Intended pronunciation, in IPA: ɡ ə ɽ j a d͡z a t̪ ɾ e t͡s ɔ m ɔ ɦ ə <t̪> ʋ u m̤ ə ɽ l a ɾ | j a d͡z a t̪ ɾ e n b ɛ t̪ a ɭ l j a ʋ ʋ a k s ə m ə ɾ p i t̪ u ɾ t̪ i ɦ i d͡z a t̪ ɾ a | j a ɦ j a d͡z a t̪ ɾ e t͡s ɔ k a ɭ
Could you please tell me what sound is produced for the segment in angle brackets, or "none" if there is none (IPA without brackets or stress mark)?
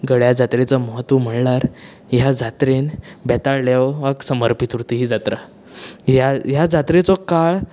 t̪